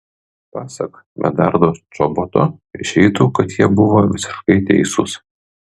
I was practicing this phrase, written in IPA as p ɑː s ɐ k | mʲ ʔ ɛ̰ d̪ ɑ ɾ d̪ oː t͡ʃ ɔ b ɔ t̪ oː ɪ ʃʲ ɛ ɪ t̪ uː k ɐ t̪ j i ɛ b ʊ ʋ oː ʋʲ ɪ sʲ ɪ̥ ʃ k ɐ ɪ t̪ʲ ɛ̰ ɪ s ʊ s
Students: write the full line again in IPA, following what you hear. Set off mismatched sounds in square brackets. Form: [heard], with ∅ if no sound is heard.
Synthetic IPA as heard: p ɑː s ɐ k | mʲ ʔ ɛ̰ d̪ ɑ ɾ d̪ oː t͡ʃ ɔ b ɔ t̪ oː ɪ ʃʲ ɛ ɪ t̪ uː k ɐ t̪ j i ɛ b ʊ ʋ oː ʋʲ ɪ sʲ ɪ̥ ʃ k ɐ ɪ t̪ʲ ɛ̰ ɪ s ʊ s